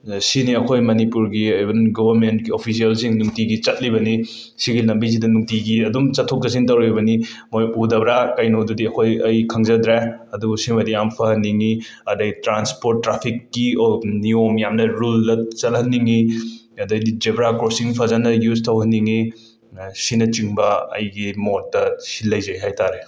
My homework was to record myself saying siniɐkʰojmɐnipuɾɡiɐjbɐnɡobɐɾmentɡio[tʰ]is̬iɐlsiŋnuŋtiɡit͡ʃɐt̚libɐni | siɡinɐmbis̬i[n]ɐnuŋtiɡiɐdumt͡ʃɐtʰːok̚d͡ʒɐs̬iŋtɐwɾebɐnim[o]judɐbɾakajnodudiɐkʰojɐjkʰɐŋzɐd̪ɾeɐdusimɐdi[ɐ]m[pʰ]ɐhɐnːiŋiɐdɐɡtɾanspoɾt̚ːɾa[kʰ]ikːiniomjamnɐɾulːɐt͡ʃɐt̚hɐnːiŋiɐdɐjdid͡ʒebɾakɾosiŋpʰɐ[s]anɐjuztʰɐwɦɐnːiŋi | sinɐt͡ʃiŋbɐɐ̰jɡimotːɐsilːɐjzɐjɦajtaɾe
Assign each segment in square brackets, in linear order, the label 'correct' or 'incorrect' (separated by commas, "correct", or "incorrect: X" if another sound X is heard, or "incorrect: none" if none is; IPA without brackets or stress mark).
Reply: incorrect: pʰ, incorrect: d, correct, incorrect: a, correct, incorrect: pʰ, incorrect: z